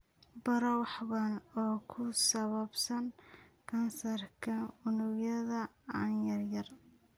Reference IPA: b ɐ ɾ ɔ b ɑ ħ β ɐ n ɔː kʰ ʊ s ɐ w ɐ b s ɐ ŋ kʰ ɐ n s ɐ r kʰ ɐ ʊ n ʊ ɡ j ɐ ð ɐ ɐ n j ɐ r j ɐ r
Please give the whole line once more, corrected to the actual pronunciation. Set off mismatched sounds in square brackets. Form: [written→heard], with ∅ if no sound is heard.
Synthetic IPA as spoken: b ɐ ɾ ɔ [b→w] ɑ ħ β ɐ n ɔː kʰ ʊ s ɐ [w→β] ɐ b s ɐ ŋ kʰ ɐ n s ɐ r kʰ ɐ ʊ n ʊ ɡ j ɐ ð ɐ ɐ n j ɐ r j ɐ r